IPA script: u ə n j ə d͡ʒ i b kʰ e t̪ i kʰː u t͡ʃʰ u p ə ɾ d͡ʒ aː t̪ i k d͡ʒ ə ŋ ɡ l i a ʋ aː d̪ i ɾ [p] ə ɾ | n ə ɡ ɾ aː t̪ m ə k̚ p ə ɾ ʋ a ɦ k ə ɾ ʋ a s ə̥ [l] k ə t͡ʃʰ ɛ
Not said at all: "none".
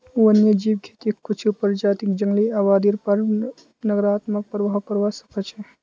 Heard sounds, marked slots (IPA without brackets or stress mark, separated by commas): p, none